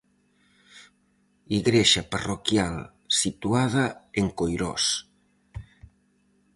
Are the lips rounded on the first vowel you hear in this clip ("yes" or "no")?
no